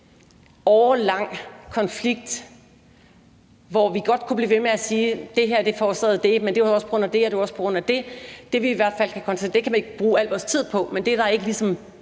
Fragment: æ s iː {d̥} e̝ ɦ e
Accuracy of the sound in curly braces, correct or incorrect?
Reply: correct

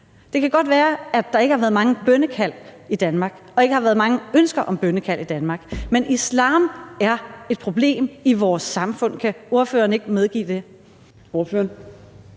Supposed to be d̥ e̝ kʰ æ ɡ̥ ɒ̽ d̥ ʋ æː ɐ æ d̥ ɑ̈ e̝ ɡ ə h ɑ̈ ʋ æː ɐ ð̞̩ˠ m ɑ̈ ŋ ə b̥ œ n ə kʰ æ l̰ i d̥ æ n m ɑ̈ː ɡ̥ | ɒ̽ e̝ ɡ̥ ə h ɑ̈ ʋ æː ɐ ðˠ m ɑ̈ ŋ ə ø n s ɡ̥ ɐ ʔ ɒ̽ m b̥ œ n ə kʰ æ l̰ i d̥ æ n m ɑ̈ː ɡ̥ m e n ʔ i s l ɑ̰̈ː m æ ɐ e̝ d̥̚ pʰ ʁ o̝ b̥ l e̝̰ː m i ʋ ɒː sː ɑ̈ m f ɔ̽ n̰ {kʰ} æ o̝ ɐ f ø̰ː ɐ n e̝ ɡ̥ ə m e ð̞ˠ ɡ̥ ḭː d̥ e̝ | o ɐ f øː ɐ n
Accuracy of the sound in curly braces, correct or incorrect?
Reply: correct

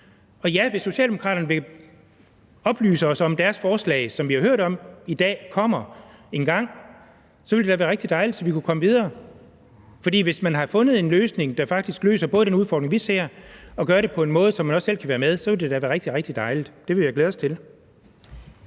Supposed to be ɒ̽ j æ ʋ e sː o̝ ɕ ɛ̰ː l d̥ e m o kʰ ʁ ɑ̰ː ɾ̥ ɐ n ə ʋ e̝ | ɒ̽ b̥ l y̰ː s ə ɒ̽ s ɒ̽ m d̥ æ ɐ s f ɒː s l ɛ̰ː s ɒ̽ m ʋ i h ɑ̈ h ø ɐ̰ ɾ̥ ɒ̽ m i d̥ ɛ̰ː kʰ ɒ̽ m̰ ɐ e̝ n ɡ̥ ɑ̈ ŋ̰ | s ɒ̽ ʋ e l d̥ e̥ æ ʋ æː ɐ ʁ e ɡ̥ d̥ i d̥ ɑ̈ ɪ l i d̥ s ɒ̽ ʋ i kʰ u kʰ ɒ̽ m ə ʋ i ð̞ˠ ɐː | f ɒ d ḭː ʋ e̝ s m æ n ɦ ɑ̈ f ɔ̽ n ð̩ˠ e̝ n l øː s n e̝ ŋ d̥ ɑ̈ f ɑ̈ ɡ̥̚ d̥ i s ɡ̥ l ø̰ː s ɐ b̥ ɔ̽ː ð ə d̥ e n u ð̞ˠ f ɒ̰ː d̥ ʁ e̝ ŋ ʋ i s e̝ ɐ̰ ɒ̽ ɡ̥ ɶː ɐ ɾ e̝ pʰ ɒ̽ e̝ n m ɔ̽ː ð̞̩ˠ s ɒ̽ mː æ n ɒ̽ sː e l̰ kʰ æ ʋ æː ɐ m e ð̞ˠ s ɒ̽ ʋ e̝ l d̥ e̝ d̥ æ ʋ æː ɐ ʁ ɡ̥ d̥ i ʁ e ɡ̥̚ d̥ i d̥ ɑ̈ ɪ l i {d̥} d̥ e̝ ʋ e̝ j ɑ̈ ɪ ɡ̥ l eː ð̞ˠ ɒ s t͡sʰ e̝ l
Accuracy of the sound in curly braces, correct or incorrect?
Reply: correct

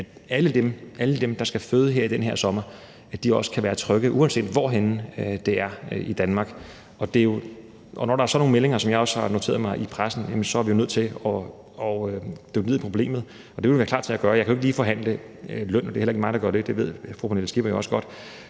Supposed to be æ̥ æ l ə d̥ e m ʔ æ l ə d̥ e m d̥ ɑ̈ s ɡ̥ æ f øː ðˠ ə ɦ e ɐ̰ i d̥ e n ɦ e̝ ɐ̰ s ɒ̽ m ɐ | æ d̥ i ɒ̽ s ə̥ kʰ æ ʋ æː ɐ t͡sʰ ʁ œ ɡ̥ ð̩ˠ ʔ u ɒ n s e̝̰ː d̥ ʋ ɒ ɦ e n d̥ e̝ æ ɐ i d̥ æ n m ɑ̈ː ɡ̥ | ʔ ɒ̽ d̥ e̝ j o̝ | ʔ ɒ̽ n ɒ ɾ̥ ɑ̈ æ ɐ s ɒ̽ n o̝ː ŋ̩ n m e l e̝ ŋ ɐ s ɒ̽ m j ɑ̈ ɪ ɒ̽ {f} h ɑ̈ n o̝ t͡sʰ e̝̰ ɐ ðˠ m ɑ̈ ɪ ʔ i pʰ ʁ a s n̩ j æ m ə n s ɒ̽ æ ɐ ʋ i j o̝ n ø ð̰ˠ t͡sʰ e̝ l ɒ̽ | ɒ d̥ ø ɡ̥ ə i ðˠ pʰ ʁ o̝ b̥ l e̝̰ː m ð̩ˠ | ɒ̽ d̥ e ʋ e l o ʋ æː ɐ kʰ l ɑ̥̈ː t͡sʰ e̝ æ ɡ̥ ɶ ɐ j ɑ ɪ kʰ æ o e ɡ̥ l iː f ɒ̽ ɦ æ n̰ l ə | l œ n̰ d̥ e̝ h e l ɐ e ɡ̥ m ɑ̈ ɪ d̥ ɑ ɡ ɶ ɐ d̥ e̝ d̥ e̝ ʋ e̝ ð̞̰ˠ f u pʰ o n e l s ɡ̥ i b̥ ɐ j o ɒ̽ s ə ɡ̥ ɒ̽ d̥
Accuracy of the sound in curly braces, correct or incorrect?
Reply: incorrect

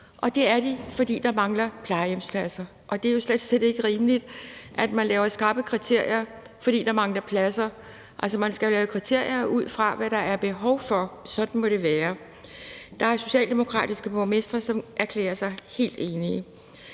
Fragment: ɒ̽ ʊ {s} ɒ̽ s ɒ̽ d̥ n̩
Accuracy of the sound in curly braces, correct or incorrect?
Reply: incorrect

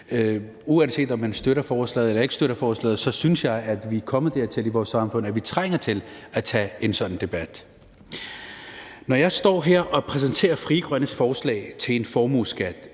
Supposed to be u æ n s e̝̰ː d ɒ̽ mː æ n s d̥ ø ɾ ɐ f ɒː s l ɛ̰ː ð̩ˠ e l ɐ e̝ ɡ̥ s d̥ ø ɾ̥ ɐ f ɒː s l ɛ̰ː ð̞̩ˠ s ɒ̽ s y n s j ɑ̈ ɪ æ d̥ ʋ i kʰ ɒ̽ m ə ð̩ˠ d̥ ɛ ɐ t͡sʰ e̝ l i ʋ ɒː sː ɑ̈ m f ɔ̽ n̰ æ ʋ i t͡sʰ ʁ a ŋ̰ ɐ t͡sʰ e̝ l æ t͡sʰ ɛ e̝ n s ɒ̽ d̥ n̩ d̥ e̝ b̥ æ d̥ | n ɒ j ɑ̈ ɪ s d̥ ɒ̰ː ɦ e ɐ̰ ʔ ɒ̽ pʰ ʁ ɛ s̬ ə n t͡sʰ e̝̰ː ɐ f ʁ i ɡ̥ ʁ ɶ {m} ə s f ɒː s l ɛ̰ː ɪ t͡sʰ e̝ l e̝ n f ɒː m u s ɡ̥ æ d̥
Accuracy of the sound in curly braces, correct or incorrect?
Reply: incorrect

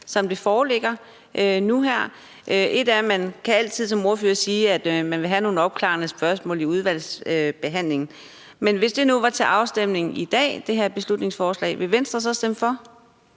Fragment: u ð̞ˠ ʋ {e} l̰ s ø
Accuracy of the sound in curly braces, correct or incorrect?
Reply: incorrect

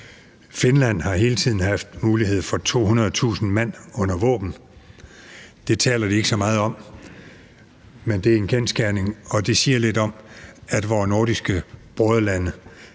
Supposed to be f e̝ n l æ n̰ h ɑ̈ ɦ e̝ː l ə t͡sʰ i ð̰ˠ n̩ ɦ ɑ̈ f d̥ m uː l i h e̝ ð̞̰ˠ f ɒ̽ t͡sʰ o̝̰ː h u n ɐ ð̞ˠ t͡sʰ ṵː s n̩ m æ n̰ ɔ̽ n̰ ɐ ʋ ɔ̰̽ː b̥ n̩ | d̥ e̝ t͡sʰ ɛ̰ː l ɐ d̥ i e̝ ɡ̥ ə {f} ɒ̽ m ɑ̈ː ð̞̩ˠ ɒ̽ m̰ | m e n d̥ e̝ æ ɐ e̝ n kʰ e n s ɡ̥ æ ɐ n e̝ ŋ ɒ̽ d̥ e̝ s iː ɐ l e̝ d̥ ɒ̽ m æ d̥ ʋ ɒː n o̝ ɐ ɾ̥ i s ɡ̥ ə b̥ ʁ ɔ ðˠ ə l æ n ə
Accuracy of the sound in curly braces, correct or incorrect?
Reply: incorrect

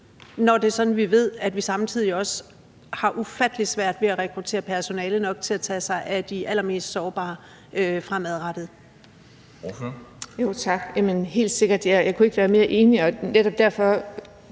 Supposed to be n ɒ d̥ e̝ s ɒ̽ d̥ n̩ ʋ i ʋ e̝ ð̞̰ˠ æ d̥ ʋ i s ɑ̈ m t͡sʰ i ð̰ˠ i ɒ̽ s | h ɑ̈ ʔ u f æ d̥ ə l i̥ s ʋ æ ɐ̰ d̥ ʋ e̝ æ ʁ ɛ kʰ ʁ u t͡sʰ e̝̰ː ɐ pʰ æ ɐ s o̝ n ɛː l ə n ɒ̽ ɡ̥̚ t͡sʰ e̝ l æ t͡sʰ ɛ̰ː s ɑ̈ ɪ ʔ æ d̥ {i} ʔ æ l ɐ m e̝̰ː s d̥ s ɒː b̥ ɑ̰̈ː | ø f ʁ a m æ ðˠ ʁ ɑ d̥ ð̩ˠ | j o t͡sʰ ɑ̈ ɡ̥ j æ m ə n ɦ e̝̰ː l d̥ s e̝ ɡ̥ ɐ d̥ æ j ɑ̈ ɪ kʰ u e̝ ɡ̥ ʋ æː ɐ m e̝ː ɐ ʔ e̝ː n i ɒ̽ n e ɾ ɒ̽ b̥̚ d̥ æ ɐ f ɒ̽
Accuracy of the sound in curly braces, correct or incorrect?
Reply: correct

